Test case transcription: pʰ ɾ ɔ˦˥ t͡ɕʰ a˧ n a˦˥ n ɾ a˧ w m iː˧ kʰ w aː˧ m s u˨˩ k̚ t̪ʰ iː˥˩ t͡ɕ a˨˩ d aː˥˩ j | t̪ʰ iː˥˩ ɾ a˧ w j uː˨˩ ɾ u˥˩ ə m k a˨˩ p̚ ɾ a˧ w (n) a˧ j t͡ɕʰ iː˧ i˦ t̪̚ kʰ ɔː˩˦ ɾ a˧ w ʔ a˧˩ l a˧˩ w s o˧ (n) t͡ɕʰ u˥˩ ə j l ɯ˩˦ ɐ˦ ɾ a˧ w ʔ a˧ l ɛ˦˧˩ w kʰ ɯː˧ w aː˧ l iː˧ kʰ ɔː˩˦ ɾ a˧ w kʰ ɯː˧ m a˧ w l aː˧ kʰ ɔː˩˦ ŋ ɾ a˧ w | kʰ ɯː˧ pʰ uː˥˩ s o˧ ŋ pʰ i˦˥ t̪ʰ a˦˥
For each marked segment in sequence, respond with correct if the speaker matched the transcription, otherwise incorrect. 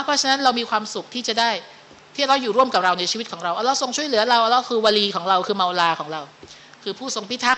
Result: correct, incorrect

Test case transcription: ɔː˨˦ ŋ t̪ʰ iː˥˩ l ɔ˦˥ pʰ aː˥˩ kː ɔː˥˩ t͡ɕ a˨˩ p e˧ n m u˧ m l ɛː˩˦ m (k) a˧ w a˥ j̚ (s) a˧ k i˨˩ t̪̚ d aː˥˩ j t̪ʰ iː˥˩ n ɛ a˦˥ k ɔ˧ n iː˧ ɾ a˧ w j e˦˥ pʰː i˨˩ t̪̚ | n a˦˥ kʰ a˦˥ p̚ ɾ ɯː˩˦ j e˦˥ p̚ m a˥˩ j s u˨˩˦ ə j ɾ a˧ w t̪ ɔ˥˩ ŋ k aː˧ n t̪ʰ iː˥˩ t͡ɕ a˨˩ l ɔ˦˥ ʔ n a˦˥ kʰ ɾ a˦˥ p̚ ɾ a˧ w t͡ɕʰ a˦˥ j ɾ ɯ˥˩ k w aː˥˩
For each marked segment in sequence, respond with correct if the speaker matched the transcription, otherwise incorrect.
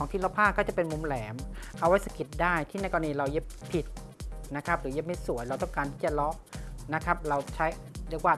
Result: incorrect, correct

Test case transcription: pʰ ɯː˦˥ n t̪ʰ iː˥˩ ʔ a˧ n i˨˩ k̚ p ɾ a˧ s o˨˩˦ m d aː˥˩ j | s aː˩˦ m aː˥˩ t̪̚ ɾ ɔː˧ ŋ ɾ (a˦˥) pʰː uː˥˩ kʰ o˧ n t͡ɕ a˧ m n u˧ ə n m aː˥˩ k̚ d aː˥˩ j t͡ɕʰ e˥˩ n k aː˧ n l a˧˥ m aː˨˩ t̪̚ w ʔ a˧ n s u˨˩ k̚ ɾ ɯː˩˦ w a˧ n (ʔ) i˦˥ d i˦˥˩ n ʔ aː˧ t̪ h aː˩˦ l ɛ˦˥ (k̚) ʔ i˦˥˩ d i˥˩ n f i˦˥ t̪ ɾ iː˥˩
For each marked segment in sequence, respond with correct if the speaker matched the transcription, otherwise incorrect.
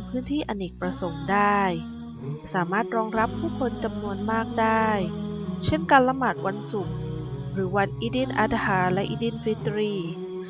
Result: correct, correct, incorrect

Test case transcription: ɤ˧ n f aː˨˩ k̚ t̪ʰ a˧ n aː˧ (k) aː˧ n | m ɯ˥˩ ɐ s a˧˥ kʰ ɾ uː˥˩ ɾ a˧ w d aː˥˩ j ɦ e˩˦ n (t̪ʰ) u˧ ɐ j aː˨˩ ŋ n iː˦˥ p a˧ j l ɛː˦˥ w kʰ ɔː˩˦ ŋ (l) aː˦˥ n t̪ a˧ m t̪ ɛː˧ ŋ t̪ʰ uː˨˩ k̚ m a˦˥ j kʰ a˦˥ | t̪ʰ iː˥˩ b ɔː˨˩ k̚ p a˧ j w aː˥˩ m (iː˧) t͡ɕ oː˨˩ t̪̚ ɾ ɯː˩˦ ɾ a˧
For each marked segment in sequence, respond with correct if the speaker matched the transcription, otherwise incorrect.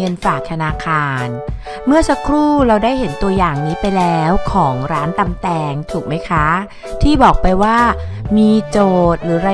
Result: incorrect, incorrect, incorrect, correct

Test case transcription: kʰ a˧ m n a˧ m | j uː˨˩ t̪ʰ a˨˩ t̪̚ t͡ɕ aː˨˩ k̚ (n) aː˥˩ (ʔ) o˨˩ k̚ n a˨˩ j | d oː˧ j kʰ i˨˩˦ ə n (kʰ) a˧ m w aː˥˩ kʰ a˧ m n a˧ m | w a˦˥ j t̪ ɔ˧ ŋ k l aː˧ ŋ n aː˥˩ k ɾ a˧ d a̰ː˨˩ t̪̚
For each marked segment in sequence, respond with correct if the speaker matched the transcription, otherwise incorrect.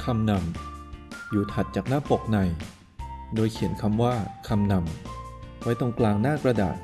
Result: correct, incorrect, correct

